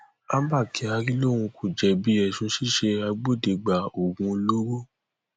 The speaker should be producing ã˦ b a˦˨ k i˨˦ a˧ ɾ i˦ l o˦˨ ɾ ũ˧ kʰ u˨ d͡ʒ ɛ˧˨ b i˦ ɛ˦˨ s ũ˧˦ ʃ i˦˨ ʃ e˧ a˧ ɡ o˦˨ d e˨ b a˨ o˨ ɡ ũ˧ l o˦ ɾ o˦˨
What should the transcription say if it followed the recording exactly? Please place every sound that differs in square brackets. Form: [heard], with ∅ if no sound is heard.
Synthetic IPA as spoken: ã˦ b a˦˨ k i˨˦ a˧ ɾ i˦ l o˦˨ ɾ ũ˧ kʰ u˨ d͡ʒ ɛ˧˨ b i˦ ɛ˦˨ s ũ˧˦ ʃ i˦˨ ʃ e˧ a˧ [ɡ͡b] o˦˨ d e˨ [ɡ͡b] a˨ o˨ ɡ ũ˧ l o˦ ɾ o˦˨